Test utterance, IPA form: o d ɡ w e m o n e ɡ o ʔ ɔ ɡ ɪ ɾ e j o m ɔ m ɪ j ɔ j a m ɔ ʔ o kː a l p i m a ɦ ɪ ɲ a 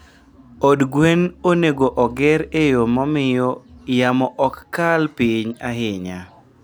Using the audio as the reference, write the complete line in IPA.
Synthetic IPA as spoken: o d ɡ w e n o n e ɡ o ʔ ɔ ɡ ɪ ɾ e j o m ɔ m ɪ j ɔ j a m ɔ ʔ ɔ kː a l p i ɲ a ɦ ɪ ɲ a